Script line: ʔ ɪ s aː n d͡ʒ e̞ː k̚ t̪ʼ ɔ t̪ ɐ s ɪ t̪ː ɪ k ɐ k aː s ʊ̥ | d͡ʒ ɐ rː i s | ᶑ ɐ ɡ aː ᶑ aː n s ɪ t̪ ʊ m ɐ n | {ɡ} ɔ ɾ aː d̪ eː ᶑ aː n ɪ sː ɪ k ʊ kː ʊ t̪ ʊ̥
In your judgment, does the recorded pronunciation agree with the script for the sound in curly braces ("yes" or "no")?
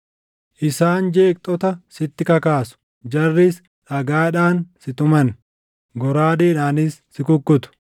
yes